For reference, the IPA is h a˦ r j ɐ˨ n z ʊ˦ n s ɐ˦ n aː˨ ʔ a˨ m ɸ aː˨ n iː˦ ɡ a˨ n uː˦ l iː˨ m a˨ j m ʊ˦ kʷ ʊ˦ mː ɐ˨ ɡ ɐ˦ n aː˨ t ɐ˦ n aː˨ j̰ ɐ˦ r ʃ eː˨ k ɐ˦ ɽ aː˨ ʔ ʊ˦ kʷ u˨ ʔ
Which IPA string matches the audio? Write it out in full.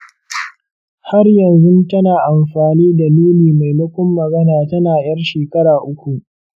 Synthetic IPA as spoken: h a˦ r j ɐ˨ n z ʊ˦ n t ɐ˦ n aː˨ ʔ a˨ m ɸ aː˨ n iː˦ d a˨ n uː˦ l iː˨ m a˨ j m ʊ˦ kʷ ʊ˦ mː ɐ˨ ɡ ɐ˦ n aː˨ t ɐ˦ n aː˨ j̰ ɐ˦ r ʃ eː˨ k ɐ˦ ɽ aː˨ ʔ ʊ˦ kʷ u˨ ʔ

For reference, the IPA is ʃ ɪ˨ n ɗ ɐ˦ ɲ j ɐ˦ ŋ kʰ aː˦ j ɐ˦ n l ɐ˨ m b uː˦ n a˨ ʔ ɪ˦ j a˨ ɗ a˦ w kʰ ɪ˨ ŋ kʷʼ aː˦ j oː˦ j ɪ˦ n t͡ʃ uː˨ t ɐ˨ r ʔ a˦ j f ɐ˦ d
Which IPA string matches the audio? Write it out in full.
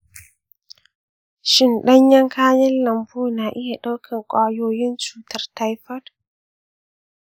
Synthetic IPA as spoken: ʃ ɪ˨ n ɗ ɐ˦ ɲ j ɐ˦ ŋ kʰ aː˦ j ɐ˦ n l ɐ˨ m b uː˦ n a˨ ʔ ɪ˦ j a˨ ɗ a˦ w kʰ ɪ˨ ŋ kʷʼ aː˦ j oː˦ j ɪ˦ n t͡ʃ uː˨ t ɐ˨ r t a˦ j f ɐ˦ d

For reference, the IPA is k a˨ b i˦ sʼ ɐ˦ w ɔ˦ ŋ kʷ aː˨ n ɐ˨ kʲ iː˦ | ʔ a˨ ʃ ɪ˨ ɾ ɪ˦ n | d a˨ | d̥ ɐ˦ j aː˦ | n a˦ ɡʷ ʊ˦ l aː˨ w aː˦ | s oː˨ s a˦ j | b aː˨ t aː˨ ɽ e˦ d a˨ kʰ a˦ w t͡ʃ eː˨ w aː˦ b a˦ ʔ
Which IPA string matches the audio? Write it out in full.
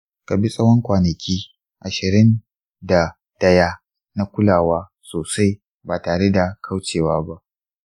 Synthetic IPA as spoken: k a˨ b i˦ sʼ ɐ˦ w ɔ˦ ŋ kʷ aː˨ n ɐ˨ kʲ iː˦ | ʔ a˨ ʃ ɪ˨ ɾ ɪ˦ n | d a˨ | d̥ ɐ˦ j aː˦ | n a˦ kʷ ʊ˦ l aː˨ w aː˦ | s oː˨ s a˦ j | b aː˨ t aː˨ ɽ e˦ d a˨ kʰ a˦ w t͡ʃ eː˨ w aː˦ b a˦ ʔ

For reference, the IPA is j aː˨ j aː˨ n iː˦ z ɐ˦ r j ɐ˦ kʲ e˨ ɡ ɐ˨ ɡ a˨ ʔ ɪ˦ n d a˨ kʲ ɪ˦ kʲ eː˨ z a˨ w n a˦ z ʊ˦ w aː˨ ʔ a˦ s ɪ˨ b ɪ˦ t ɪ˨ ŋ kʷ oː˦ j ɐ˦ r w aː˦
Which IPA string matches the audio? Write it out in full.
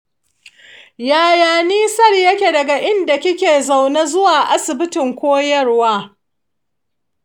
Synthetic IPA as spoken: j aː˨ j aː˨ n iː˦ s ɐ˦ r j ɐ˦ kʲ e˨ d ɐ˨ ɡ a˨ ʔ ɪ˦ n d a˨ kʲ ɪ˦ kʲ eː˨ z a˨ w n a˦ z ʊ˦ w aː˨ ʔ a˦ s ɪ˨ b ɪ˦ t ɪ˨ ŋ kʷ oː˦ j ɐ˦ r w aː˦

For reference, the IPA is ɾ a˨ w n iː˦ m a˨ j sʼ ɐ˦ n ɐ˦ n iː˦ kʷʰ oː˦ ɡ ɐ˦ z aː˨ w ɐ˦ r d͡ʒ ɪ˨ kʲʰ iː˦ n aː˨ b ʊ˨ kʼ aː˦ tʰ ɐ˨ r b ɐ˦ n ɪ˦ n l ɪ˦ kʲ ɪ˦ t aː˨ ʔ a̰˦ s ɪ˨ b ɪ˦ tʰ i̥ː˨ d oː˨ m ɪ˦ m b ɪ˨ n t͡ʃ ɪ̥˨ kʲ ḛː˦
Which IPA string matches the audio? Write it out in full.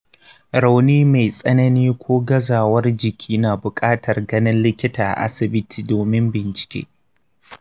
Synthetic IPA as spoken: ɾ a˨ w n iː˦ m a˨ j sʼ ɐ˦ n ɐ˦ n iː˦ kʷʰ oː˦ ɡ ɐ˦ z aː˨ w ɐ˦ r d͡ʒ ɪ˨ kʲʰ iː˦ n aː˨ b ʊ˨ kʼ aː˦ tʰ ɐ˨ r ɡ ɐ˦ n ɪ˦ n l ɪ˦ kʲ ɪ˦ t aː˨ ʔ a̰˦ s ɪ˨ b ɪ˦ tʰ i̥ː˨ d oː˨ m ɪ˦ m b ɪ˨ n t͡ʃ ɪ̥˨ kʲ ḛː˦

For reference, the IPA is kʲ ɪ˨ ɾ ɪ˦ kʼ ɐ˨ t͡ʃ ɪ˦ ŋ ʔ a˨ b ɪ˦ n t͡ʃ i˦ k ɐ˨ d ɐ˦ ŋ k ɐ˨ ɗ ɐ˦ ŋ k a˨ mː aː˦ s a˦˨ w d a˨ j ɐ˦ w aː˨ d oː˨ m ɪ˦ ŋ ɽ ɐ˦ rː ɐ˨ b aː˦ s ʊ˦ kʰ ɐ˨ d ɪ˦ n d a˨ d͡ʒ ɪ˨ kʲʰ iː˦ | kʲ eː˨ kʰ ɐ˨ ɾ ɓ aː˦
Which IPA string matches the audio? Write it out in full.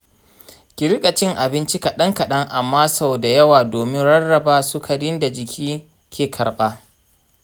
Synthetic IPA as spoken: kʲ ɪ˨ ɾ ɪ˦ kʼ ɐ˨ t͡ʃ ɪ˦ ŋ ʔ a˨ b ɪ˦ n t͡ʃ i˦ k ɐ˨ ɗ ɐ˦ ŋ k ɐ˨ ɗ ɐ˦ ŋ ʔ a˨ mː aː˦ s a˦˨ w d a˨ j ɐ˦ w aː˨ d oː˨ m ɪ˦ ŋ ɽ ɐ˦ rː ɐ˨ b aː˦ s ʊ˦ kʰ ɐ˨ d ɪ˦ n d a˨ d͡ʒ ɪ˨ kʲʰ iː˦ | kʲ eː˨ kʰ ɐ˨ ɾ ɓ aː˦

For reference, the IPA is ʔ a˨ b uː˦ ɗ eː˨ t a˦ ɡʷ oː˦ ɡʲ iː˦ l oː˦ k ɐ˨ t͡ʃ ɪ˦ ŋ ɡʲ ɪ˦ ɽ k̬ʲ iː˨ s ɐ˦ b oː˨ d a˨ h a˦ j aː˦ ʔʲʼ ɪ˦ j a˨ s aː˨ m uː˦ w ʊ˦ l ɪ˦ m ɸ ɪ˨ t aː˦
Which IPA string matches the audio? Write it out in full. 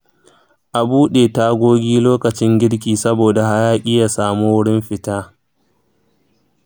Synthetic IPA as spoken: ʔ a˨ b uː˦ ɗ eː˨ t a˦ ɡʷ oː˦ ɡʲ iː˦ l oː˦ k ɐ˨ t͡ʃ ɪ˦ ŋ ɡʲ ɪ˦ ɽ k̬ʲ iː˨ s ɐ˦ b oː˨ d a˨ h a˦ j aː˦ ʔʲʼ ɪ˦ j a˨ s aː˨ m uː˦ w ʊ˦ ɽ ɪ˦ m ɸ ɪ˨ t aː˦

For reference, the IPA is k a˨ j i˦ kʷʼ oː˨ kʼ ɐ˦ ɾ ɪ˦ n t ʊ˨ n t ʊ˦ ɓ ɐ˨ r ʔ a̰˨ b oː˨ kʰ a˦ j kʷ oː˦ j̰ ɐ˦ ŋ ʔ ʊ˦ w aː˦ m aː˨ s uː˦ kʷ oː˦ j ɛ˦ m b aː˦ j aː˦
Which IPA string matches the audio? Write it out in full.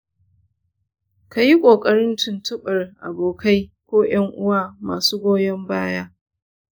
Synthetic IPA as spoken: k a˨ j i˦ kʷʼ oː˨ kʼ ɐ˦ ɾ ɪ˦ n t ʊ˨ n t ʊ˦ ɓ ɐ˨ r ʔ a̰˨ b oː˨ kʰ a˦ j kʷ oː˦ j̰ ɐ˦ ŋ ʔ ʊ˦ w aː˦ m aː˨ s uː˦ ɡʷ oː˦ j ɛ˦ m b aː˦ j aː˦

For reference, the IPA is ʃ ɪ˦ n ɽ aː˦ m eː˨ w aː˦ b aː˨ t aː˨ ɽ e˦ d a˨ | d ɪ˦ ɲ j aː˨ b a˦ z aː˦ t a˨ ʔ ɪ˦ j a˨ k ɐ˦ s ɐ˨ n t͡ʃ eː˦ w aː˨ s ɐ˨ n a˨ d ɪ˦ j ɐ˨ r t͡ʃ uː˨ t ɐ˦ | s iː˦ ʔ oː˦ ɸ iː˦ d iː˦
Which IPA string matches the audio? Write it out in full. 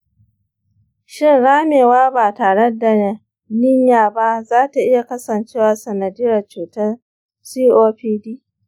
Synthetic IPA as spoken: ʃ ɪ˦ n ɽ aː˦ m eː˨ w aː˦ b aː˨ t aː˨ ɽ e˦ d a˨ | n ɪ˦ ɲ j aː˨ b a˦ z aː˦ t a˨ ʔ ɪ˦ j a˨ k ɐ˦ s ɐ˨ n t͡ʃ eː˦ w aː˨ s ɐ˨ n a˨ d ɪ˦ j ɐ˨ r t͡ʃ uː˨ t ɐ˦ | s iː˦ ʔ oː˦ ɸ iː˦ d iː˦

